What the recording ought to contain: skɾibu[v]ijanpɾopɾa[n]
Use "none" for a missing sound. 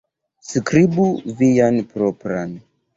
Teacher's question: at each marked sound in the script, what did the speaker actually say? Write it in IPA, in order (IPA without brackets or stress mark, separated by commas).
v, n